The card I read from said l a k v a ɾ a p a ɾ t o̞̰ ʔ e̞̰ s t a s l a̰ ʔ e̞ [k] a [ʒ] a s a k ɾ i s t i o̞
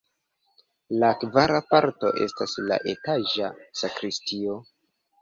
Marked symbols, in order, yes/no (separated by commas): no, yes